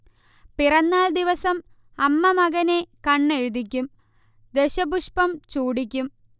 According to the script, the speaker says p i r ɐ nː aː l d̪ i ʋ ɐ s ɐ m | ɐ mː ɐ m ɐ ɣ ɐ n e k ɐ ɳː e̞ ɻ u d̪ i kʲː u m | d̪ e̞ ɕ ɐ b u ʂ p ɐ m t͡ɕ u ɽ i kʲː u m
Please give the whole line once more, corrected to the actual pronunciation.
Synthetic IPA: p i r ɐ nː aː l d̪ i ʋ ɐ s ɐ m | ɐ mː ɐ m ɐ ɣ ɐ n e k ɐ ɳː e̞ ɻ u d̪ i kʲː u m | d̪ e̞ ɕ ɐ b u ʂ p ɐ m t͡ɕ uː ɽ i kʲː u m